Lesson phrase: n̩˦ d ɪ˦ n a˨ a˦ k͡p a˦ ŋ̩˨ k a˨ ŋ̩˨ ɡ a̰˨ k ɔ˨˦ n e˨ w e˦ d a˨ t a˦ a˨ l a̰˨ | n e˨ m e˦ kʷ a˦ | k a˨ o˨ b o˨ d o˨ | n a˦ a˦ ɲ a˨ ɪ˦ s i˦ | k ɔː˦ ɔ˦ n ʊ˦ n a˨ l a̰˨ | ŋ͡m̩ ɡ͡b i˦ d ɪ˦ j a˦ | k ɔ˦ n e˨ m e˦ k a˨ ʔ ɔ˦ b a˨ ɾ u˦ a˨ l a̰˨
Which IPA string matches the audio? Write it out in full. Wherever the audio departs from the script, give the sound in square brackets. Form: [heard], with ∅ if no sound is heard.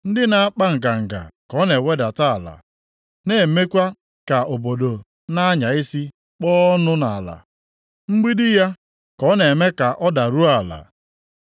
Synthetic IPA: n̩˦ d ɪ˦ n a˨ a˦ k͡p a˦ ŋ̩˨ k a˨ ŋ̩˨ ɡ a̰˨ k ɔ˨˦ n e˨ w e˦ d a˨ t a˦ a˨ l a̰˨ | n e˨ m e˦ kʷ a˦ | k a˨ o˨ b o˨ d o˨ | n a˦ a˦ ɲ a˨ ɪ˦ s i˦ | [k͡p] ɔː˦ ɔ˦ n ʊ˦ n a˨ l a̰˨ | ŋ͡m̩ ɡ͡b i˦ d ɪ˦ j a˦ | k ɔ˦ n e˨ m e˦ k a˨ ʔ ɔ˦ [d] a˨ ɾ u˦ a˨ l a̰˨